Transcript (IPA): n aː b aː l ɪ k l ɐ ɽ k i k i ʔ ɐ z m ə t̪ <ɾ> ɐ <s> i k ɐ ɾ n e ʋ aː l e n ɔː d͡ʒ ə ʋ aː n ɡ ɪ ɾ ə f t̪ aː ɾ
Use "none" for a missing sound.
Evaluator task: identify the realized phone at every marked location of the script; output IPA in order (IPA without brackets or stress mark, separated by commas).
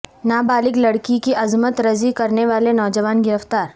ɾ, z